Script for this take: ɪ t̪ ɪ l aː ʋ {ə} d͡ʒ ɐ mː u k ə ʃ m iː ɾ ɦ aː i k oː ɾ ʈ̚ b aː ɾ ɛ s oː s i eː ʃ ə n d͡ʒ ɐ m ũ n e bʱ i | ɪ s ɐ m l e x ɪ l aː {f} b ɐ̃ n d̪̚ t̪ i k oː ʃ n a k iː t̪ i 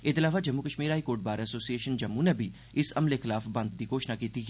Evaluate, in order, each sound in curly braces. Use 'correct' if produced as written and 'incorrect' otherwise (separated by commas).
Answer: incorrect, correct